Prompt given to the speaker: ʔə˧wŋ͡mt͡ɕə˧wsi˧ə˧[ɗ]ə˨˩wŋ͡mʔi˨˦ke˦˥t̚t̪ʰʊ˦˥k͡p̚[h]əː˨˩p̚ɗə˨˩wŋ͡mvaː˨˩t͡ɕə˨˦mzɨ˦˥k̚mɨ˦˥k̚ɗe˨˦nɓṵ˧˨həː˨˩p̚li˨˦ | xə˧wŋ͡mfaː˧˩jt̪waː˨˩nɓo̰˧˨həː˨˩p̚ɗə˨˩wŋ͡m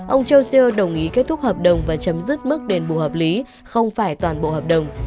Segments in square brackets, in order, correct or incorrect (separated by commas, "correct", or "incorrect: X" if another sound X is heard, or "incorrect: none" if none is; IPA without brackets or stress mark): correct, correct